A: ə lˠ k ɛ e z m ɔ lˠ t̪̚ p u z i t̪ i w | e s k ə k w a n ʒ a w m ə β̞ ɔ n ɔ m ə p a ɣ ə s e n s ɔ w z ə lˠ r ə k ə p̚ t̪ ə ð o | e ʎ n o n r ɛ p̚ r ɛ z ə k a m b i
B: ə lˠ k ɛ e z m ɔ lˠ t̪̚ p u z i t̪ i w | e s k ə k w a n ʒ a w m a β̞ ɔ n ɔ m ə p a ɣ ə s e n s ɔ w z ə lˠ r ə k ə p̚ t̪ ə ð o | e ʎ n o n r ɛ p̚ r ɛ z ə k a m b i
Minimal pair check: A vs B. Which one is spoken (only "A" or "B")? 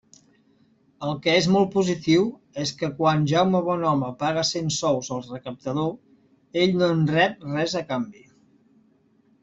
A